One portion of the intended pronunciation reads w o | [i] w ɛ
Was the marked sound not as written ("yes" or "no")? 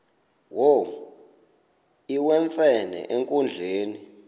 no